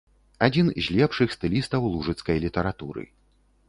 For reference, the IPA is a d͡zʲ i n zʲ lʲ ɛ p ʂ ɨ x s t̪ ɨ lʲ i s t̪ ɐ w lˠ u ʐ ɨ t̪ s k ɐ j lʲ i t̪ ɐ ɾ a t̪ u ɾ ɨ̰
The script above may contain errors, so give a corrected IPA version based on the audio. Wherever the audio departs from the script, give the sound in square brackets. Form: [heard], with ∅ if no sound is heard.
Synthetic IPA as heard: a d͡zʲ i n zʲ lʲ ɛ p ʂ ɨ x s t̪ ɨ lʲ i s t̪ ɐ w lˠ u ʐ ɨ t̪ s k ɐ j lʲ i t̪ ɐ ɾ a t̪ u ɾ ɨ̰

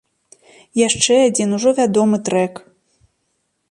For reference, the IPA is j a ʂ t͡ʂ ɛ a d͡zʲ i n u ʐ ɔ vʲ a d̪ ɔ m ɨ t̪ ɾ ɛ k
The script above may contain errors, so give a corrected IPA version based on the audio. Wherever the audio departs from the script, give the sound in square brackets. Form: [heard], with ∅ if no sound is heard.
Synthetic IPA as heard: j a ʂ t͡ʂ ɛ a d͡zʲ i n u ʐ ɔ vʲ a d̪ ɔ m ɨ t̪ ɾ ɛ k

